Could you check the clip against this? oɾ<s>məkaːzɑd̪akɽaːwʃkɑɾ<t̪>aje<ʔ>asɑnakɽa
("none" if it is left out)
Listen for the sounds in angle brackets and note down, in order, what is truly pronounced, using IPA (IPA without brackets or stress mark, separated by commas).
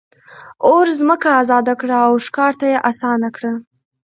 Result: z, t̪, ʔ